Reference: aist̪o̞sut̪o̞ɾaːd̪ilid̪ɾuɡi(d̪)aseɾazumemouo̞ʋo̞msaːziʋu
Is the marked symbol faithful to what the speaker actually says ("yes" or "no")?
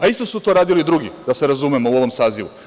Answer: yes